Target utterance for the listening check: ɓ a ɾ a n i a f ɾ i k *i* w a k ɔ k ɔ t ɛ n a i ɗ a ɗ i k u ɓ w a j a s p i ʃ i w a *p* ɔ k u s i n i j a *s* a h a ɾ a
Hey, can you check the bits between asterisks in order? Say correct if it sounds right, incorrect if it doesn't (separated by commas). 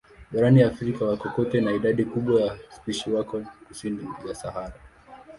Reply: incorrect, incorrect, correct